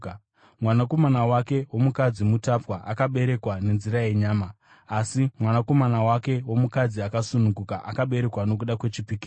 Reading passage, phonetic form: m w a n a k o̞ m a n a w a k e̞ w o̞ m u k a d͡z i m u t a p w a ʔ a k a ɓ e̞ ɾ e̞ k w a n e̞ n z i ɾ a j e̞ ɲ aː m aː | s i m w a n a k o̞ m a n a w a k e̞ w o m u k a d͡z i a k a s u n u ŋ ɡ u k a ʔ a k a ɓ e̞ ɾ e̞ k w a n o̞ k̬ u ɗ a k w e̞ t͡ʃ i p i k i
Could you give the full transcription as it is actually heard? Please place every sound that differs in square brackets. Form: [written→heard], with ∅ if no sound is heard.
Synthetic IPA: m w a n a k o̞ m a n a w a k e̞ w o̞ m u k a d͡z i m u t a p w a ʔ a k a ɓ e̞ ɾ e̞ k w a n e̞ n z i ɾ a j e̞ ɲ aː m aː | s i m w a n a k o̞ m a n a w a k e̞ w o m u k a d͡z i a k a s u n u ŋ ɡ u k a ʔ a k a ɓ e̞ ɾ e̞ k w a n o̞ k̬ u ɗ a k w e̞ t͡ʃ i p i k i

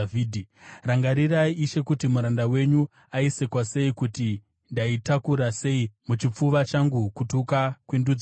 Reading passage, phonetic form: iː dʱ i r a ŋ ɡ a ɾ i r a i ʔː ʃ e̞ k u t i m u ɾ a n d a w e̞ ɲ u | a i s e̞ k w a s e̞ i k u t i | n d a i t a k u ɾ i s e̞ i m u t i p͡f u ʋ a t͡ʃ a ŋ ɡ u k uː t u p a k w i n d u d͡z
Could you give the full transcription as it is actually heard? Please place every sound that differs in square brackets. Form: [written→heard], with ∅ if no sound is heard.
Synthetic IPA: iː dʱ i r a ŋ ɡ a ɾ i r a i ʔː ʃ e̞ k u t i m u ɾ a n d a w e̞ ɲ u | a i s e̞ k w a s e̞ i k u t i | n d a i t a k u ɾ [i→a] s e̞ i m u [t→t͡ʃ] i p͡f u ʋ a t͡ʃ a ŋ ɡ u k [uː→u] t u [p→k] a k w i n d u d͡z

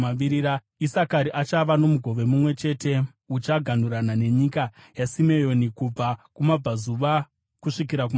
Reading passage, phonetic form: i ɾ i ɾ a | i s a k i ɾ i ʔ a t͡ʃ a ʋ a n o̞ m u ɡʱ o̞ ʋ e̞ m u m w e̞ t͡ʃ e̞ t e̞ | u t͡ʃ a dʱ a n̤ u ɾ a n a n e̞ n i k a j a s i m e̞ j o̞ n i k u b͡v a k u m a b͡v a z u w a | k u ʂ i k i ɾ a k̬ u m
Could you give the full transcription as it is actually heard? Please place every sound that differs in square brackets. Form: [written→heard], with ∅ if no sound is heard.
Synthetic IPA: i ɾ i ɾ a | i s a k [i→a] ɾ i ʔ a t͡ʃ a ʋ a n o̞ m u ɡʱ o̞ ʋ e̞ m u m w e̞ t͡ʃ e̞ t e̞ | u t͡ʃ a [dʱ→ɡʱ] a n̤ u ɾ a n a n e̞ [n→ɲ] i k a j a s i m e̞ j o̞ n i k u b͡v a k u m a b͡v a z u [w→ʋ] a | k u ʂ i k i ɾ a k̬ u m

